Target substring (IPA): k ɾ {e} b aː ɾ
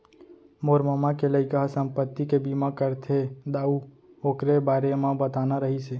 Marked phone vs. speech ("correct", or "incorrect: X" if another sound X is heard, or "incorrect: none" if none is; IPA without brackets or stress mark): correct